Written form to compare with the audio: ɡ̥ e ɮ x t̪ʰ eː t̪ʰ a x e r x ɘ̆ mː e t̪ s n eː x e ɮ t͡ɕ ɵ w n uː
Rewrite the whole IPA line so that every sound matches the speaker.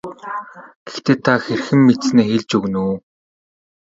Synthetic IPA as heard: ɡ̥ e x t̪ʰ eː t̪ʰ a x e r x ɘ̆ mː e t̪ s n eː x e ɮ t͡ɕ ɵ ɣ n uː